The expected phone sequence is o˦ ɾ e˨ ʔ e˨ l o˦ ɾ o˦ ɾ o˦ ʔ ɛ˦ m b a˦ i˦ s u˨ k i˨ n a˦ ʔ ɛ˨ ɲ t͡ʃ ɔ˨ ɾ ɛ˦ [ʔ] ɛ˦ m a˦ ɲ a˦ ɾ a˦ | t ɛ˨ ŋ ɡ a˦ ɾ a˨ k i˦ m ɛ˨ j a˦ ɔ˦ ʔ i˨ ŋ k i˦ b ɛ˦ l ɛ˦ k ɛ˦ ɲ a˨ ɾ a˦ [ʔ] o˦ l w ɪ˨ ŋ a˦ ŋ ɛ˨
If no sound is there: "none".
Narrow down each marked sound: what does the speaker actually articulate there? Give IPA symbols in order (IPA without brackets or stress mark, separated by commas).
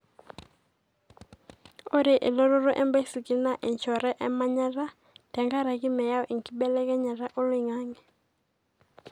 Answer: ʔ, ʔ